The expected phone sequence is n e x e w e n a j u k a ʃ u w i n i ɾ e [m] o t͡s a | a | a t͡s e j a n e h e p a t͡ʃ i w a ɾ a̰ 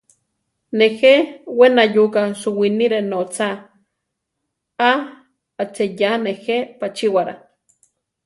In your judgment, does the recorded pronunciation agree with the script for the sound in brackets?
no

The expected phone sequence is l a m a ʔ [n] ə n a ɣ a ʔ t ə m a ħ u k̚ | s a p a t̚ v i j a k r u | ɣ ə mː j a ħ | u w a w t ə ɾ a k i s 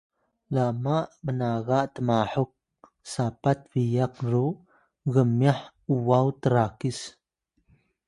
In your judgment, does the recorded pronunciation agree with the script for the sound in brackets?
no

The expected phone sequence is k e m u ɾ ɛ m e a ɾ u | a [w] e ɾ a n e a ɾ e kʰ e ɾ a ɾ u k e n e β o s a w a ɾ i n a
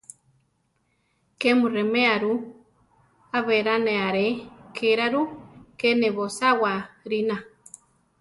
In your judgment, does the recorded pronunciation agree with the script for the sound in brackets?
no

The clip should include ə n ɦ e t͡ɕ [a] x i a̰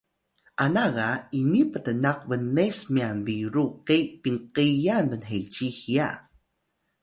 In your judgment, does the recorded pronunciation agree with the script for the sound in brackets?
no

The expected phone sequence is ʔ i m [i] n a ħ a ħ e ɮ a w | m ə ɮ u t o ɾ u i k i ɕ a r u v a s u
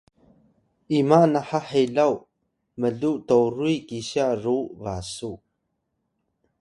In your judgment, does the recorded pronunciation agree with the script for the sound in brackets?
no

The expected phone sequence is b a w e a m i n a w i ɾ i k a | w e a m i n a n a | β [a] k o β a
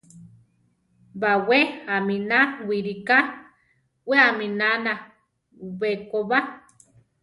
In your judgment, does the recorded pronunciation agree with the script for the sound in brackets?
no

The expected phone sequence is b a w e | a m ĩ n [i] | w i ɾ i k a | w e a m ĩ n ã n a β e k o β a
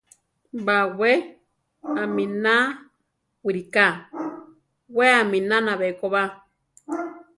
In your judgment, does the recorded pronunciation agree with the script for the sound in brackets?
no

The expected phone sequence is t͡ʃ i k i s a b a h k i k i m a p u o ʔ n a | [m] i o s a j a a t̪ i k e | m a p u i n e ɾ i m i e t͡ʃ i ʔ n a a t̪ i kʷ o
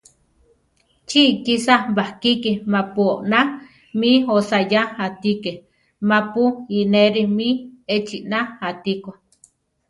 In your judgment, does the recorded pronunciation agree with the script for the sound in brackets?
yes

